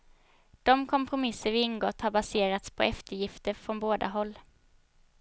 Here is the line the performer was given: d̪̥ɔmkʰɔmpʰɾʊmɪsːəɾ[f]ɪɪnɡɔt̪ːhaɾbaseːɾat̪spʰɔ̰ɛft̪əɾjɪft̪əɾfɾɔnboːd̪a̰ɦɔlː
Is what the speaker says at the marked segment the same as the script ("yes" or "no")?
no